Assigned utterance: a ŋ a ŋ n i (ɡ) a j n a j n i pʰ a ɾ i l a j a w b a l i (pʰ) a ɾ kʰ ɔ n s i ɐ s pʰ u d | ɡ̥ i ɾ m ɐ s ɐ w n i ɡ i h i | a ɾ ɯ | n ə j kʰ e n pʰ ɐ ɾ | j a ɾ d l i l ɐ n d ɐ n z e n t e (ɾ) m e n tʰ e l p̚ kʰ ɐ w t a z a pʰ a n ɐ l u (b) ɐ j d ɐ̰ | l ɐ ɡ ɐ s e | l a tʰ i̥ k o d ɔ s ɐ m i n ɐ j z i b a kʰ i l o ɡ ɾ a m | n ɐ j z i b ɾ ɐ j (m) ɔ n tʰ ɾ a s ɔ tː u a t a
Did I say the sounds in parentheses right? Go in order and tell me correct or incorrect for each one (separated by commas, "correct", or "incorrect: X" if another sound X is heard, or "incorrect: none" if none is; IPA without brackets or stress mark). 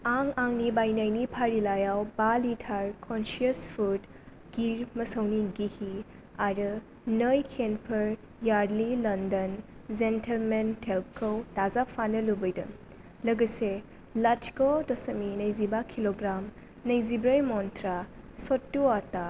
incorrect: b, incorrect: tʰ, incorrect: l, correct, correct